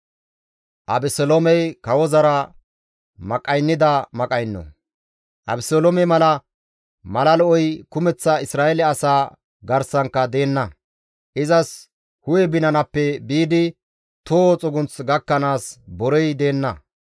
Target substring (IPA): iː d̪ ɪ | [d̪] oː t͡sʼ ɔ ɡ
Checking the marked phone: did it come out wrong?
yes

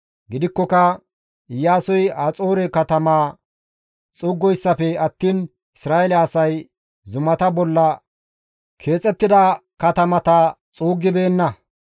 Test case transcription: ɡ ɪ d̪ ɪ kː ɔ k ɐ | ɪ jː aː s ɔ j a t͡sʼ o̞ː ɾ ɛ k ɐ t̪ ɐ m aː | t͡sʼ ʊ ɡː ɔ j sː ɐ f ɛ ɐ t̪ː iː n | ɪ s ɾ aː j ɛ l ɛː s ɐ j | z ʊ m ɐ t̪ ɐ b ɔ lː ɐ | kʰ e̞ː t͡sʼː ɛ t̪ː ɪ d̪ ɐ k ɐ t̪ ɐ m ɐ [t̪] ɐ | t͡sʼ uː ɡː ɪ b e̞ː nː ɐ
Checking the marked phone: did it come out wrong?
no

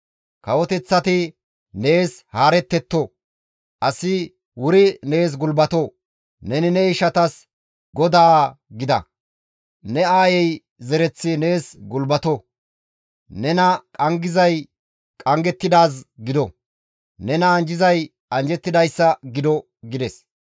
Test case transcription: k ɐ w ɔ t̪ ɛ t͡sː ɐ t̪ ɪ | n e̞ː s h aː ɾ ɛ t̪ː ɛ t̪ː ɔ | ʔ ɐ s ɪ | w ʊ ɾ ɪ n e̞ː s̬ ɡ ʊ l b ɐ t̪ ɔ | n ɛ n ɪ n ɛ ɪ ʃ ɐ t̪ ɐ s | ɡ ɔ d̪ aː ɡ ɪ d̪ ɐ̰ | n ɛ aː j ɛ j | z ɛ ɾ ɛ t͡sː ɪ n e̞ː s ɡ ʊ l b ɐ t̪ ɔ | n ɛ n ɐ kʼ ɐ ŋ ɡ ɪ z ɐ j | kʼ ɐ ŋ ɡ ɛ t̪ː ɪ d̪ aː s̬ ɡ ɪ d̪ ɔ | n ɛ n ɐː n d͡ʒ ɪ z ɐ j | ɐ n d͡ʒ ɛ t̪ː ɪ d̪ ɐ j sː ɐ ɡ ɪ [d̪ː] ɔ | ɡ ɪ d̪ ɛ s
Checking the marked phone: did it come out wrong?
yes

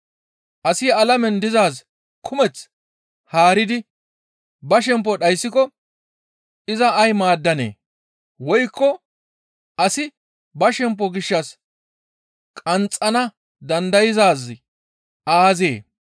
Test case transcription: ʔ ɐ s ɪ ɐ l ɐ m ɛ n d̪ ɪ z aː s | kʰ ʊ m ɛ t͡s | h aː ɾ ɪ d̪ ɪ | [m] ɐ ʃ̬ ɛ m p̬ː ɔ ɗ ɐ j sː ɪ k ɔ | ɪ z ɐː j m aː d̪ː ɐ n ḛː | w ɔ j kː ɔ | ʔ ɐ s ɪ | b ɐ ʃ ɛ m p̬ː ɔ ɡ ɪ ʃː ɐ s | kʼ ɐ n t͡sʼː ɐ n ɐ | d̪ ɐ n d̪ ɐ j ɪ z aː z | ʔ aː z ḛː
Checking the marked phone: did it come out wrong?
yes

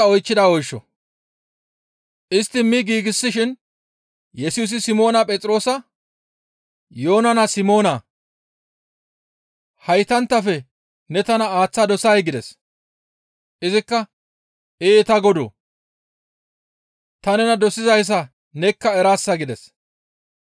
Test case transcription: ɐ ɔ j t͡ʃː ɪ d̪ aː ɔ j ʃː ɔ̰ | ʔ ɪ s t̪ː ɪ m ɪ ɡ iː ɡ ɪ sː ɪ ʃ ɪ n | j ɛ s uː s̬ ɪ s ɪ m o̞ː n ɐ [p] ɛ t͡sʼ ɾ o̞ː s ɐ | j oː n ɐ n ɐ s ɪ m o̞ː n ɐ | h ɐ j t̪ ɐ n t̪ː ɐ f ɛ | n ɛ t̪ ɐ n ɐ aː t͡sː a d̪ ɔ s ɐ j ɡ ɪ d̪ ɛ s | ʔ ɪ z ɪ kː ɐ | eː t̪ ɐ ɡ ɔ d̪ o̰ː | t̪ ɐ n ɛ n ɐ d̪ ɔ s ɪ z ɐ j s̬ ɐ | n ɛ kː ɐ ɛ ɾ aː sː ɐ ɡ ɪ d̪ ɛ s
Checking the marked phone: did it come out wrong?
yes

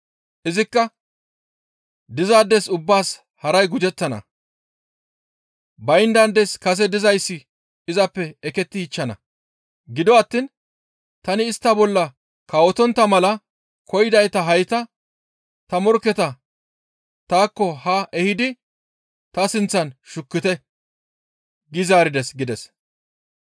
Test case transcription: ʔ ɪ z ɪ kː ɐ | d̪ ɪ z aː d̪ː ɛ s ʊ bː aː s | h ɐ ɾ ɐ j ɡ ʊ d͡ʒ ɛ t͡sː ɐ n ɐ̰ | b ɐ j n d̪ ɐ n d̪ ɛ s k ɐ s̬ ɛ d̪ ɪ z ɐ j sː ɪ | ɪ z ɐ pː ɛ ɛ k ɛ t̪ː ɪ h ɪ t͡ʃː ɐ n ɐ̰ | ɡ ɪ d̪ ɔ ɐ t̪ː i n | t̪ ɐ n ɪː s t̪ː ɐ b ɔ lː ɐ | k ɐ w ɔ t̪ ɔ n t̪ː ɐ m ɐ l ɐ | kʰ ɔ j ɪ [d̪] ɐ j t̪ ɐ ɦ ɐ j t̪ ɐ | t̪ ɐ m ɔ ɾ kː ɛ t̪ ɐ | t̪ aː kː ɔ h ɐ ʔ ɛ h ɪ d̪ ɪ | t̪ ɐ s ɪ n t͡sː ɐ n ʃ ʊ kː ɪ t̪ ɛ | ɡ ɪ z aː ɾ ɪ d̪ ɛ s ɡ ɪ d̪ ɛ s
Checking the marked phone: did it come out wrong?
no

